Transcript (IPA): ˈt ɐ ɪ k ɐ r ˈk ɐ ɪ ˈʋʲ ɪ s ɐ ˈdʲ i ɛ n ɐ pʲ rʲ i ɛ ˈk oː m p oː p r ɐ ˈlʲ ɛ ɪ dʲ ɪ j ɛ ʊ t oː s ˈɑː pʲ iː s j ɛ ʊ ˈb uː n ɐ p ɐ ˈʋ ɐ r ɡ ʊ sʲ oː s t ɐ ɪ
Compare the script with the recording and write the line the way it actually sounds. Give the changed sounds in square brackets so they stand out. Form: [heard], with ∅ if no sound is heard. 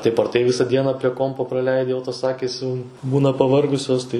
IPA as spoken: ˈt ɐ ɪ [p] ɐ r [ˈt] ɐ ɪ ˈʋʲ ɪ s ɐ ˈdʲ i ɛ n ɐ pʲ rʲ i ɛ ˈk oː m p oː p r ɐ ˈlʲ ɛ ɪ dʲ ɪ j ɛ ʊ t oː s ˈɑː [kʲ] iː s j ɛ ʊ ˈb uː n ɐ p ɐ ˈʋ ɐ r ɡ ʊ sʲ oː s t ɐ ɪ